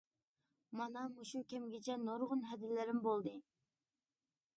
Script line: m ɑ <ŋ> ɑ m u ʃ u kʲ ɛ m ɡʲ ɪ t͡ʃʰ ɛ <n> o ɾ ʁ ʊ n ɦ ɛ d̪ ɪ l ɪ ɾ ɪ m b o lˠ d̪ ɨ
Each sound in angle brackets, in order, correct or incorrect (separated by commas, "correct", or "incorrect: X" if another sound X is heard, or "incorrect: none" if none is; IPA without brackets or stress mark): incorrect: n, correct